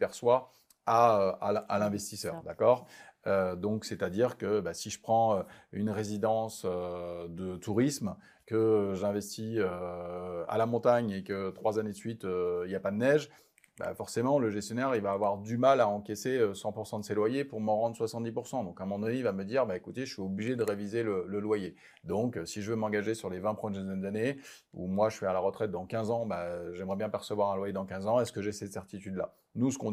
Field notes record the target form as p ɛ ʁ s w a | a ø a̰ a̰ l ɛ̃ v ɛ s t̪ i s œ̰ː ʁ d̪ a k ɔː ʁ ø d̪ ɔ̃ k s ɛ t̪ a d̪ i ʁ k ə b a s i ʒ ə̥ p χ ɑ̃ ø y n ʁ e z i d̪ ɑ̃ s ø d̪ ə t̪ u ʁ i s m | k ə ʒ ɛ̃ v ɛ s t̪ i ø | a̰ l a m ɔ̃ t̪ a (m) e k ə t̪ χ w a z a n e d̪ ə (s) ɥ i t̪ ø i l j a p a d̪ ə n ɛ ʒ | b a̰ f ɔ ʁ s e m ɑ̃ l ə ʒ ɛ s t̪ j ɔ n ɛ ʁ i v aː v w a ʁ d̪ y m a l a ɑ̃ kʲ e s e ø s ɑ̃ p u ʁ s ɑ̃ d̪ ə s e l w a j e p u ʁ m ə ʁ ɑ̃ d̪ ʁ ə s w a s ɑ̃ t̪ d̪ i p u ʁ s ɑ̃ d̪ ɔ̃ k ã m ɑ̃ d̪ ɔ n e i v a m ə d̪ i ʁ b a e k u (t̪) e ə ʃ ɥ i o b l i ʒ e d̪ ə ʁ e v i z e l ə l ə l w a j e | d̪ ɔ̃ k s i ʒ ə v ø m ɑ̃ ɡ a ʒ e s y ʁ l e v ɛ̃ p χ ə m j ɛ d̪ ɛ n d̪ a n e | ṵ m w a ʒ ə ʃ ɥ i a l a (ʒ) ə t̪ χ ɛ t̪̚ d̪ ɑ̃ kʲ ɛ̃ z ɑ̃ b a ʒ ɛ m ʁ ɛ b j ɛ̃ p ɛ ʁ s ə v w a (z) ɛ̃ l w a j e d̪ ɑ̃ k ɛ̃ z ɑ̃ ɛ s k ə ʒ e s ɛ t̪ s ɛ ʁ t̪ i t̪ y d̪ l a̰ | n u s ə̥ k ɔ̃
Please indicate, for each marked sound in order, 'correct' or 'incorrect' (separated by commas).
incorrect, correct, correct, incorrect, incorrect